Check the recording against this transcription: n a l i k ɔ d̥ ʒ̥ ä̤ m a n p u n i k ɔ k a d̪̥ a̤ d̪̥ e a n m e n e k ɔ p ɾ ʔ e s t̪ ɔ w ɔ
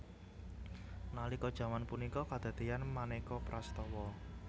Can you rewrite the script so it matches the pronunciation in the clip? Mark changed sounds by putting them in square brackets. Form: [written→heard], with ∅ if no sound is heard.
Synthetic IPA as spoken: n a l i k ɔ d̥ ʒ̥ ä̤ m a n p u n i k ɔ k a d̪̥ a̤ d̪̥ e a n m [e→a] n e k ɔ p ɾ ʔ [e→a] s t̪ ɔ w ɔ